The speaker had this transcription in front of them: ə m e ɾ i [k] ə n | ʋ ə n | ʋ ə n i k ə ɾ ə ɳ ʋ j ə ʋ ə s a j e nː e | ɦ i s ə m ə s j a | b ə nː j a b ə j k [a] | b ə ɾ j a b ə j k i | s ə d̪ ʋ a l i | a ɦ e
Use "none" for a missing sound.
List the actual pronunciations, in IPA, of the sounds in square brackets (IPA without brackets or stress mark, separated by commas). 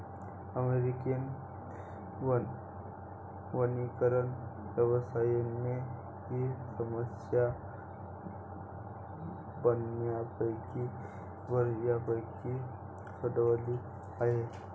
k, i